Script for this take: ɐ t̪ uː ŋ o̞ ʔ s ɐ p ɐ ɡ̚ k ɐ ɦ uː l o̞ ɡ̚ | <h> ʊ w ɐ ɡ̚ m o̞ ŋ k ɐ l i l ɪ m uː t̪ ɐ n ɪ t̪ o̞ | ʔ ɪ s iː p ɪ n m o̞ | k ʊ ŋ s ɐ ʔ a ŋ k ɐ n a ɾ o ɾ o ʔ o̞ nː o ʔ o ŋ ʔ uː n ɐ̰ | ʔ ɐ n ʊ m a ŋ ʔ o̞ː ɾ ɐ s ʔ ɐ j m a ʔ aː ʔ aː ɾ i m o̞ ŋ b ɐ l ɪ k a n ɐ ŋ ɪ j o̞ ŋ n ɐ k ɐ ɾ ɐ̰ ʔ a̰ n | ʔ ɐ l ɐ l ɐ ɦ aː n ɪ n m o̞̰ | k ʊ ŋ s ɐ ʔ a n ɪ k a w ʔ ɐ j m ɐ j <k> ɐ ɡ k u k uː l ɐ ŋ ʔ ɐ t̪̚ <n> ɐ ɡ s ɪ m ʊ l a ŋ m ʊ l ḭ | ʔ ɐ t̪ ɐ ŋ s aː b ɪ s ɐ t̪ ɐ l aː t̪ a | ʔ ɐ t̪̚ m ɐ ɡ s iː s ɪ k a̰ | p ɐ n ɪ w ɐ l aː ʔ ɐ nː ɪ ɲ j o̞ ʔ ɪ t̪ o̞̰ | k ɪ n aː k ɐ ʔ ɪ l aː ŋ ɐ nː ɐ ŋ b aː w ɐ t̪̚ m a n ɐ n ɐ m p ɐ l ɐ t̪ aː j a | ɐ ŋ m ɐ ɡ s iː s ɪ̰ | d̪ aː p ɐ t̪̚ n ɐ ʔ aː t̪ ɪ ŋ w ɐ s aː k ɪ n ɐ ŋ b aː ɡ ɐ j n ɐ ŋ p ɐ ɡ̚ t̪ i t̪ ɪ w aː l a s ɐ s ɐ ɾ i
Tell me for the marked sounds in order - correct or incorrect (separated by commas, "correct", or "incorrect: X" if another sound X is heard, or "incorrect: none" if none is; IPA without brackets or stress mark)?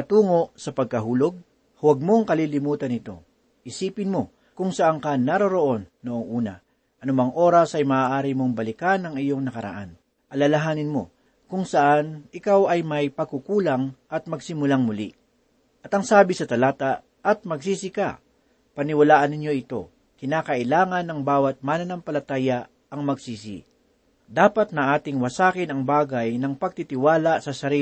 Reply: correct, incorrect: p, incorrect: m